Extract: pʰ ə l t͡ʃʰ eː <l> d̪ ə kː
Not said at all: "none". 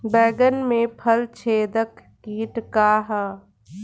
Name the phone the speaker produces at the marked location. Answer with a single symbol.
none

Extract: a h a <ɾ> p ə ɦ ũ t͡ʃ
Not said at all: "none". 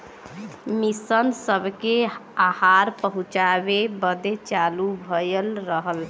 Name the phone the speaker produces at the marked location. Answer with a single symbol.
ɾ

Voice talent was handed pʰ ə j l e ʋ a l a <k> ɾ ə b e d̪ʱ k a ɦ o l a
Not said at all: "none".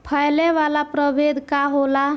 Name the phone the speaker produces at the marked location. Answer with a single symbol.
p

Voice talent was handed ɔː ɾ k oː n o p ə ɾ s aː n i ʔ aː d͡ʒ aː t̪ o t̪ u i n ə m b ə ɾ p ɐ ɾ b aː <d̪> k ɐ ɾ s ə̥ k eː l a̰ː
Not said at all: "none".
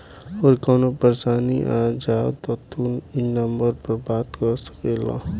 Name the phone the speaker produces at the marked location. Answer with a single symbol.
t̪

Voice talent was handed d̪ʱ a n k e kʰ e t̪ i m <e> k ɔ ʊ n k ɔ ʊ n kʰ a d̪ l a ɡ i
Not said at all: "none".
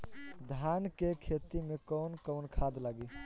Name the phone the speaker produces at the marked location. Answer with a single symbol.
e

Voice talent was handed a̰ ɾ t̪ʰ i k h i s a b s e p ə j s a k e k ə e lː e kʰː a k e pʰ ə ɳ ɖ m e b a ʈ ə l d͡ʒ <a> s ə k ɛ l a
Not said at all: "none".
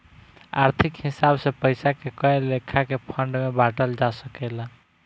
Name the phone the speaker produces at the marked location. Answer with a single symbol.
a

